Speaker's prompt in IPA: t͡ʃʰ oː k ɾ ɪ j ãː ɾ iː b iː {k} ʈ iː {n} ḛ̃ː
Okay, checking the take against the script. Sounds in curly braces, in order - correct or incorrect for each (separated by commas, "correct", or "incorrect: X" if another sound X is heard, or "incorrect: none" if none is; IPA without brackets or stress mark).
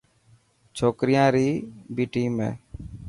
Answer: incorrect: none, incorrect: m